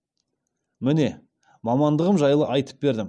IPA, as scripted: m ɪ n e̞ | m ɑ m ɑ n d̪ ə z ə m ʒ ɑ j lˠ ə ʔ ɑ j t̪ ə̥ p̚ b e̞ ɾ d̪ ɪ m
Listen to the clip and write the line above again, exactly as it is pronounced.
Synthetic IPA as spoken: m ɪ n e̞ | m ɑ m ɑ n d̪ ə ʁ ə m ʒ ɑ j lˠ ə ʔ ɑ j t̪ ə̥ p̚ b e̞ ɾ d̪ ɪ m